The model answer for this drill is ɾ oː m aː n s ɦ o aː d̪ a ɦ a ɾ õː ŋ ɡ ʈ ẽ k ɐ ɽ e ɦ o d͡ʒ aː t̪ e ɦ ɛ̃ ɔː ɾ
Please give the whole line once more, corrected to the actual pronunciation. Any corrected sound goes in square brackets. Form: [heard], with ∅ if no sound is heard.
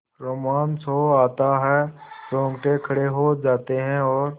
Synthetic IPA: ɾ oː m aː n s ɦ o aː [t̪] a ɦ [ɛ] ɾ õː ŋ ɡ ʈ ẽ [kʰ] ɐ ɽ e ɦ o d͡ʒ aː t̪ e ɦ ɛ̃ ɔː ɾ